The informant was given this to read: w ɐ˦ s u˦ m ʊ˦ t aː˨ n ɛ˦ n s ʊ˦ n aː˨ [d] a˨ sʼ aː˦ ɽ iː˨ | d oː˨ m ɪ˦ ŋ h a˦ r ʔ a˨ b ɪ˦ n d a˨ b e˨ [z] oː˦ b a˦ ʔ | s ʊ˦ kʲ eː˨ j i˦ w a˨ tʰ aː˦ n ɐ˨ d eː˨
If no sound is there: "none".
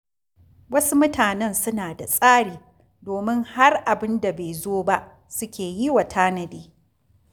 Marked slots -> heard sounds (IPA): d, z

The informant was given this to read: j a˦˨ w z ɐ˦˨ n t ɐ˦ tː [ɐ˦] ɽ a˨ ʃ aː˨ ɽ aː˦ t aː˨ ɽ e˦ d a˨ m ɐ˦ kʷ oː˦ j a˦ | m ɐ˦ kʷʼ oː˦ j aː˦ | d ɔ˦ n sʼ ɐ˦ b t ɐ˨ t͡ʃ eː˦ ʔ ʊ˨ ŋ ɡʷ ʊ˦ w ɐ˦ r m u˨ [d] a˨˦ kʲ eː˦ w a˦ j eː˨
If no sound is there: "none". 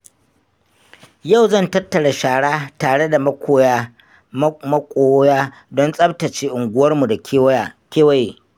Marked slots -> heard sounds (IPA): ɐ˨, d

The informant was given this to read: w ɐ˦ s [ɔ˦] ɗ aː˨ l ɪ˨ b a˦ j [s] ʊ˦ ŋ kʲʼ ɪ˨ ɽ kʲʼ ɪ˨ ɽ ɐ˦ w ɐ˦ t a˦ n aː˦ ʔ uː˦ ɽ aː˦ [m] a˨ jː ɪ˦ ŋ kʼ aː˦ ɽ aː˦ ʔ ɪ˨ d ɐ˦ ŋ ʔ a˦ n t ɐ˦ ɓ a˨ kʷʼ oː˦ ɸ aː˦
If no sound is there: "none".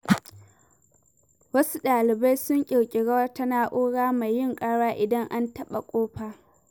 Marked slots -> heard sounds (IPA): u˦, s, m

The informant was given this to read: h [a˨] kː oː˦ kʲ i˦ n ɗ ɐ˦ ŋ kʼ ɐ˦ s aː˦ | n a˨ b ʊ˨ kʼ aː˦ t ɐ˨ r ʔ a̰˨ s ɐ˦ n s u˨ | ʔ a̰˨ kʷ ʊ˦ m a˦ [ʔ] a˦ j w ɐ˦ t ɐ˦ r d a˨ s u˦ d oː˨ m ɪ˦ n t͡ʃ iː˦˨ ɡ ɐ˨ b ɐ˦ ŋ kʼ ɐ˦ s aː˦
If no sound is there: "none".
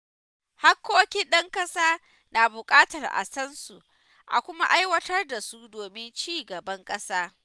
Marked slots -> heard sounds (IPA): a˦, ʔ

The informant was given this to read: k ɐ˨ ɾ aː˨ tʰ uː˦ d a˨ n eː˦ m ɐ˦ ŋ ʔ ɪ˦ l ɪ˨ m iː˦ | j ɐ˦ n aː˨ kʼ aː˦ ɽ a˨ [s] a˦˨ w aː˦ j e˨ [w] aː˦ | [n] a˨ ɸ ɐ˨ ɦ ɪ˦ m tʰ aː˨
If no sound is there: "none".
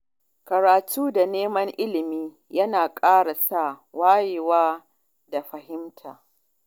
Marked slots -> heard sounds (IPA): s, w, d

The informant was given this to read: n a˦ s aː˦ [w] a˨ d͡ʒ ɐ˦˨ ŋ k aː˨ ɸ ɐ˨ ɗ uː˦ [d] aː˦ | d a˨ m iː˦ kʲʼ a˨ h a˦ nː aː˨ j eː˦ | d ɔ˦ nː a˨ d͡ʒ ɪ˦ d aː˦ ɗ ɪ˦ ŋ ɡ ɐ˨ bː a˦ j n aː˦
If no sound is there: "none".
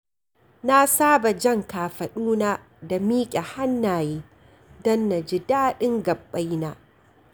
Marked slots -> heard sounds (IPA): b, n

